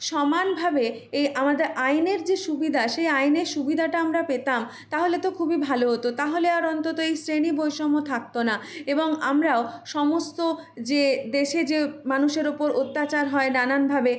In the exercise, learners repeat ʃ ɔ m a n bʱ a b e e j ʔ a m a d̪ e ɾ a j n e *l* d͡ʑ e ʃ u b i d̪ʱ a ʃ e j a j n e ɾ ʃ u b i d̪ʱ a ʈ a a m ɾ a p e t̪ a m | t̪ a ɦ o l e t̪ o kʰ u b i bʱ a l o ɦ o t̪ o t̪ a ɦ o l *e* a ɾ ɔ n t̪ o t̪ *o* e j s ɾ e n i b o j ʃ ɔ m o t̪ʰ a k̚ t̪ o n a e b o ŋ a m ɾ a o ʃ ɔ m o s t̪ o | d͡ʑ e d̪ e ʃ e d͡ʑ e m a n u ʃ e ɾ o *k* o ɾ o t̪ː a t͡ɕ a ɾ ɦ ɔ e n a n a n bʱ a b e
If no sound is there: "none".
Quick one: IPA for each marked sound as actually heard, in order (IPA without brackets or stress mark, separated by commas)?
ɾ, e, o, p